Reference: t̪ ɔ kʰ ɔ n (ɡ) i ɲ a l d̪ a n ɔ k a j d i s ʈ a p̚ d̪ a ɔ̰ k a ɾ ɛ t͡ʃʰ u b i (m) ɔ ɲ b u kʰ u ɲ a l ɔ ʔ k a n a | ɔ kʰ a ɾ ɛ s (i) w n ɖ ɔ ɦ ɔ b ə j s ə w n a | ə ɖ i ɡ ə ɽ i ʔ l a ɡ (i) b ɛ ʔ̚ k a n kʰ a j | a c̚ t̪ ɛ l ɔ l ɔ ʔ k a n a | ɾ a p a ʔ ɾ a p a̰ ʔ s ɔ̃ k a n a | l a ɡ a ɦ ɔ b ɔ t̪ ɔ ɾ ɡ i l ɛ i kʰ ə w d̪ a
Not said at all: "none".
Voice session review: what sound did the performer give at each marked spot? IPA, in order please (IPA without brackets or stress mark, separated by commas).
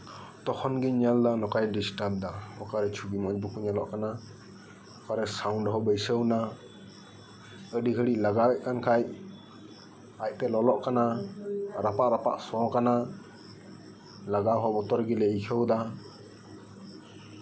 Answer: ɡ, m, a, a